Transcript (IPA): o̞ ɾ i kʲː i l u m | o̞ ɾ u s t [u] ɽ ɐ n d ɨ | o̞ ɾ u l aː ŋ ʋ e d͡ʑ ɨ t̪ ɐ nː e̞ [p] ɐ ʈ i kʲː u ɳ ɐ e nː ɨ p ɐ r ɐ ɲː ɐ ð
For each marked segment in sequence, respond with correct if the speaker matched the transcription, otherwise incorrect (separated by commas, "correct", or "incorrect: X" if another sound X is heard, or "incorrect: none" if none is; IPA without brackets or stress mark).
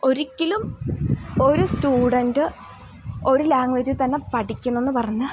incorrect: uː, correct